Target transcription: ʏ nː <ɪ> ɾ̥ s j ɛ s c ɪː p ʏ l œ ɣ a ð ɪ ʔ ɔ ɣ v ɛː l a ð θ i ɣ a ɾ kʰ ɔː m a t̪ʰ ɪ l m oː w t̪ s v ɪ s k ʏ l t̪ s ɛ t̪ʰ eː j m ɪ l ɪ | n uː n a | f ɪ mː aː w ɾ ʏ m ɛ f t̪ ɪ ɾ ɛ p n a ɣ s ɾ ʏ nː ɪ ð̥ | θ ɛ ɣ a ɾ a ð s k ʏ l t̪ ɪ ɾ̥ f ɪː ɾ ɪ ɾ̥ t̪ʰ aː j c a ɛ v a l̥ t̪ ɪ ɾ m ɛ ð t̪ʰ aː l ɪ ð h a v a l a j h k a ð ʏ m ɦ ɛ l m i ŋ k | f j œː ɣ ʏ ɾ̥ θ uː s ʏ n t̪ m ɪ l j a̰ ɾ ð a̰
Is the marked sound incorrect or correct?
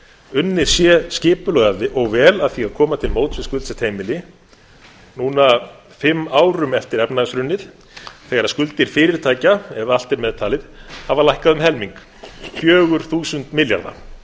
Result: correct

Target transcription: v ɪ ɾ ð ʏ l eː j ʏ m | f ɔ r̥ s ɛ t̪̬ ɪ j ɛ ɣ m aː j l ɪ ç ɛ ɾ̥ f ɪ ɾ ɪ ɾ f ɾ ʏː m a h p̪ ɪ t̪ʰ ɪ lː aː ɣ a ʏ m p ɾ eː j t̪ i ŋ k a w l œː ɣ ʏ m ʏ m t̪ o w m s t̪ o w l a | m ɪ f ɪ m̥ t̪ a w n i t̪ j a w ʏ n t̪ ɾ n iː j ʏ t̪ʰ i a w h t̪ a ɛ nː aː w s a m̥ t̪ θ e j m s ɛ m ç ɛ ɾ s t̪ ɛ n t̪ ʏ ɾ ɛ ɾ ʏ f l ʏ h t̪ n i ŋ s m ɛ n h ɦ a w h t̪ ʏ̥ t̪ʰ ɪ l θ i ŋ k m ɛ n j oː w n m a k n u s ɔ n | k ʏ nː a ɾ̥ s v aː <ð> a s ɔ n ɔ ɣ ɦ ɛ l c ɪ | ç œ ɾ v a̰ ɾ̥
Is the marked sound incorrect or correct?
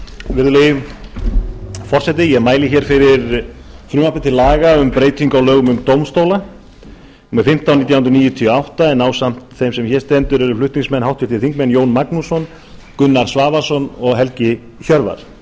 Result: incorrect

